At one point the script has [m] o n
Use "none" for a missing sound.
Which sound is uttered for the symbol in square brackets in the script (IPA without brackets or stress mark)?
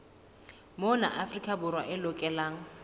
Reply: m